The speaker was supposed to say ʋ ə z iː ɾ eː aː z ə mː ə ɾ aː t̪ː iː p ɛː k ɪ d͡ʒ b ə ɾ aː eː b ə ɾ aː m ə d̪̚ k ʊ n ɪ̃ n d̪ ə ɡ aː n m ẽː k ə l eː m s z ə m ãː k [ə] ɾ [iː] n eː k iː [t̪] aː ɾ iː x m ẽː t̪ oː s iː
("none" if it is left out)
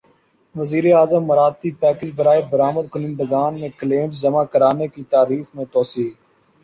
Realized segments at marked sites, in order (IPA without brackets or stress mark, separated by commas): ə, aː, t̪